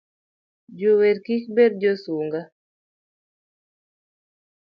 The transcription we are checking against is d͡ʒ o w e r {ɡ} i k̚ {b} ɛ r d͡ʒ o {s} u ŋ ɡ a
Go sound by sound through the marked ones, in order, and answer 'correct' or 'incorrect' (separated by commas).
incorrect, correct, correct